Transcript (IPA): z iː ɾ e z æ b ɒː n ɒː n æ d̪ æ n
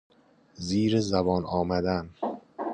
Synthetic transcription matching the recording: z iː ɾ e z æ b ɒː n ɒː m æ d̪ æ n